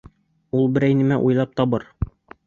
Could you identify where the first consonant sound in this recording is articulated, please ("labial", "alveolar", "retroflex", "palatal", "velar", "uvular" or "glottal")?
alveolar